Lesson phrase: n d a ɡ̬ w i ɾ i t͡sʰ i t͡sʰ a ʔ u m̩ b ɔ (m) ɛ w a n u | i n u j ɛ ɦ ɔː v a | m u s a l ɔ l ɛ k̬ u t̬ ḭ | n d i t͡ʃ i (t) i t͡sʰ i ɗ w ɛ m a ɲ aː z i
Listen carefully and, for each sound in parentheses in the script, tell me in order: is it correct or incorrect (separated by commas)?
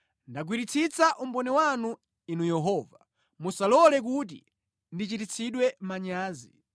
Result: incorrect, correct